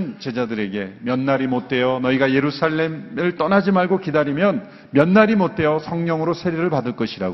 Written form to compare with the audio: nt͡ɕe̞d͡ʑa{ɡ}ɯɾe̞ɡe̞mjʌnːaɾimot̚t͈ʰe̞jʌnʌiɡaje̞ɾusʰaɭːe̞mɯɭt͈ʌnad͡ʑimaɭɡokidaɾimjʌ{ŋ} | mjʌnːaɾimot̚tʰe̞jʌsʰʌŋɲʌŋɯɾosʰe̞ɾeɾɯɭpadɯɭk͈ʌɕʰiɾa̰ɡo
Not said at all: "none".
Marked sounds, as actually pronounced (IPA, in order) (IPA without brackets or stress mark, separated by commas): d, n